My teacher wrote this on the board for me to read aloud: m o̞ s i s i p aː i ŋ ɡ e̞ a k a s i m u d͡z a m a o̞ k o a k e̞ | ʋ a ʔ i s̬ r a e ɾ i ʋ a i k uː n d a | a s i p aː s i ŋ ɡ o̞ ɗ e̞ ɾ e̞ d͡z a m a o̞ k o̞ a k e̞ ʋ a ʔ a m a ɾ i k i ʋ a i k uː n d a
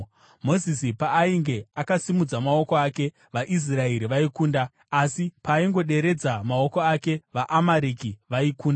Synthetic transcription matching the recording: m o̞ z i s i p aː i ŋ ɡ e̞ a k a s i m u d͡z a m a o̞ k o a k e̞ | ʋ a ʔ i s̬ r a e ɾ i ʋ a i k uː n d a | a s i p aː i ŋ ɡ o̞ ɗ e̞ ɾ e̞ d͡z a m a o̞ k o̞ a k e̞ ʋ a ʔ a m a ɾ i k i ʋ a i k uː n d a